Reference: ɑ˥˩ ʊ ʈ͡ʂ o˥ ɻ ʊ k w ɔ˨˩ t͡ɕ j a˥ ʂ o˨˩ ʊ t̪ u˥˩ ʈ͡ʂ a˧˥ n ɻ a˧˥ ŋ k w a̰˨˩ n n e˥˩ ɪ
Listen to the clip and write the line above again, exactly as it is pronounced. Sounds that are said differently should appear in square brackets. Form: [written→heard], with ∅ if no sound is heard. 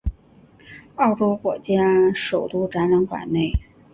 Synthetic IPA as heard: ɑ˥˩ ʊ ʈ͡ʂ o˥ [ɻ→∅] ʊ k w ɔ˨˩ t͡ɕ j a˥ ʂ o˨˩ ʊ t̪ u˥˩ ʈ͡ʂ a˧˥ n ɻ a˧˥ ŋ k w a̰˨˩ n n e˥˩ ɪ